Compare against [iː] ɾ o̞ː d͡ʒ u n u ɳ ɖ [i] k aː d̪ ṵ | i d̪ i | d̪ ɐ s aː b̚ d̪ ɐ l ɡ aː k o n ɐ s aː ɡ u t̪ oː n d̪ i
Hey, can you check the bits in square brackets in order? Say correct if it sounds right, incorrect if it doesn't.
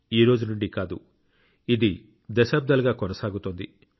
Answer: correct, correct

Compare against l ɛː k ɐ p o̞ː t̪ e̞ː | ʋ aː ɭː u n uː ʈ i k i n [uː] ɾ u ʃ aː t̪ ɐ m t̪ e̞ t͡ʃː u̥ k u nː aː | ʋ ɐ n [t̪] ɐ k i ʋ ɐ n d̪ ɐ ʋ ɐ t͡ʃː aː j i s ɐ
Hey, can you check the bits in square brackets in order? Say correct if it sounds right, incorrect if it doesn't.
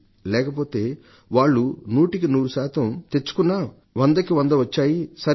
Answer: correct, incorrect

